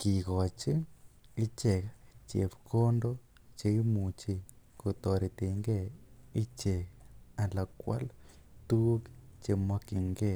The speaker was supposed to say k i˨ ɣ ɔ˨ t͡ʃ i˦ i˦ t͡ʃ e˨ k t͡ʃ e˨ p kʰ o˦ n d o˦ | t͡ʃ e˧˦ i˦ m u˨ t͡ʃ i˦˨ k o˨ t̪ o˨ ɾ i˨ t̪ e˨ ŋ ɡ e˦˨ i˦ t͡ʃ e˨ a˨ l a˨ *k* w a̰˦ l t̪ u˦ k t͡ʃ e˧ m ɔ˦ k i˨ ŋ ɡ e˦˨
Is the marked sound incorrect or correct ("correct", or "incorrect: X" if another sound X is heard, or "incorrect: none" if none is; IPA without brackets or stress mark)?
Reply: correct